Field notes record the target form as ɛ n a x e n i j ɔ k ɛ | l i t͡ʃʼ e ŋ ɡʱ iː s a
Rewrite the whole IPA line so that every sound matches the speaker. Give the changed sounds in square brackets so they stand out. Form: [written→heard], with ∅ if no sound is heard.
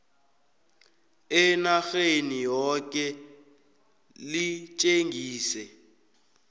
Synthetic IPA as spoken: ɛ n a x e n i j ɔ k ɛ | l i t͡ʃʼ e ŋ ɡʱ iː s [a→ɛ]